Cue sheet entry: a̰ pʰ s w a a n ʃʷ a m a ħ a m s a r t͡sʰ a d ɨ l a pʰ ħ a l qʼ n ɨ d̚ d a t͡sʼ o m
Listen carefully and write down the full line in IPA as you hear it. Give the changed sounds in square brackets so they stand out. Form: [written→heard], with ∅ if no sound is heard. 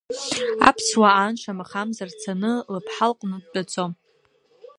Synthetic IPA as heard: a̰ pʰ s w a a n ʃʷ a m a [ħ→χ] a m [s→z] a r t͡sʰ a [d→n] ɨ l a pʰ ħ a l qʼ n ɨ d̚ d a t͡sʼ o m